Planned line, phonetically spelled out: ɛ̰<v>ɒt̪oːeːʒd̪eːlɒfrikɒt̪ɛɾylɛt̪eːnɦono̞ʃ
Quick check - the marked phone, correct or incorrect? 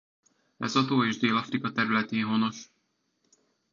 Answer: incorrect